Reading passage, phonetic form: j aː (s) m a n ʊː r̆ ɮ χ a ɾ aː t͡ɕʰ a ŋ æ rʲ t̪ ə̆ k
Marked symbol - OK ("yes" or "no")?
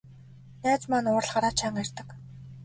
no